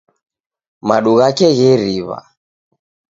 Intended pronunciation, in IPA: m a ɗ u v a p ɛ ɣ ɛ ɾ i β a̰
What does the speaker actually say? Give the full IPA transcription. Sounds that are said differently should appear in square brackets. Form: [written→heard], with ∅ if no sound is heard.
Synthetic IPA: m a ɗ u [v→ɣ] a [p→k] ɛ ɣ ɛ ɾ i β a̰